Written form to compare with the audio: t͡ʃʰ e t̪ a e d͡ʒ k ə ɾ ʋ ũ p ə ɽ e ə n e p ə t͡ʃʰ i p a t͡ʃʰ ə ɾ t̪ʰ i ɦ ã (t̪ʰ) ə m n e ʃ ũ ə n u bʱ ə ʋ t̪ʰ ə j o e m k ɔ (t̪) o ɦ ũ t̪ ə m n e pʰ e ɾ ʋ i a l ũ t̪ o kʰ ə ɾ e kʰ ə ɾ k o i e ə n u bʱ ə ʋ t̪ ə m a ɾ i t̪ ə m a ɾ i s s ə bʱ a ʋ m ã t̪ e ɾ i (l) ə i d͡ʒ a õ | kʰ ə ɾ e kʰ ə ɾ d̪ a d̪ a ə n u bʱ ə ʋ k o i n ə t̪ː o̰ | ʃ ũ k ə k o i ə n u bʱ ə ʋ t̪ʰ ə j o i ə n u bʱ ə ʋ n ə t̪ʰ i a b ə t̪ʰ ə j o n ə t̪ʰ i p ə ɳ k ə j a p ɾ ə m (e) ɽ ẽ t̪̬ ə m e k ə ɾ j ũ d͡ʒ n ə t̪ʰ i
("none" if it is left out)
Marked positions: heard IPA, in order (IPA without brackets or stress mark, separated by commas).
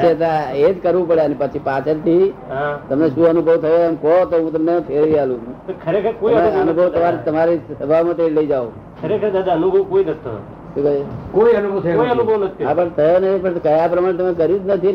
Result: t̪, t̪, l, a